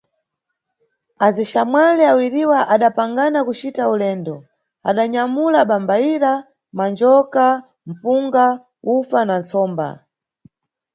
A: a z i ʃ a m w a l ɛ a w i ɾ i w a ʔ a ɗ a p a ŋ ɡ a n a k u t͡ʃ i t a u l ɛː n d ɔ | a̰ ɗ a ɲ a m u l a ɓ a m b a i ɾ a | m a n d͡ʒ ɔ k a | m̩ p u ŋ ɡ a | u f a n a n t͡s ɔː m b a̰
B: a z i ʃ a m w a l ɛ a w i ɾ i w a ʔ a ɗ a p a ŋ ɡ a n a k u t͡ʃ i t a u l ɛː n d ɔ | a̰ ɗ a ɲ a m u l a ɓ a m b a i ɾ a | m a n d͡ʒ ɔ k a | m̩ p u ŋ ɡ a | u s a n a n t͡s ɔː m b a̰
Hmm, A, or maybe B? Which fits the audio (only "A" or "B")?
A